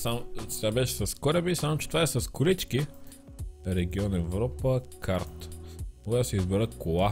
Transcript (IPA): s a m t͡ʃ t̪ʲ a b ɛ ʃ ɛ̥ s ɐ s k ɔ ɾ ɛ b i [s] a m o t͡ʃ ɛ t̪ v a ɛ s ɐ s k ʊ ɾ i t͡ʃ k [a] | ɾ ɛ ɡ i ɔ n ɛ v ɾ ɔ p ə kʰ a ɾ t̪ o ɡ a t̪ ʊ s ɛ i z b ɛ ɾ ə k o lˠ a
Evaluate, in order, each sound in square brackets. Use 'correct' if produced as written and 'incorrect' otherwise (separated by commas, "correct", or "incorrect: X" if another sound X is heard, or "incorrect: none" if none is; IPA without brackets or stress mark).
correct, incorrect: i